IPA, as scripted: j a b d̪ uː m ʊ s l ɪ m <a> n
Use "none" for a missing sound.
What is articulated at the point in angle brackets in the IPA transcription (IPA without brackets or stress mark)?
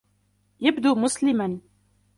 a